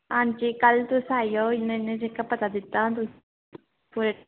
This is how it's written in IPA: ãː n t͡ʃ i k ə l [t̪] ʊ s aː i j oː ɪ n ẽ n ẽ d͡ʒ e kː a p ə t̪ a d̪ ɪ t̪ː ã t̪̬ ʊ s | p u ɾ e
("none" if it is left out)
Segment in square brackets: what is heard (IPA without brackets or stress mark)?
t̪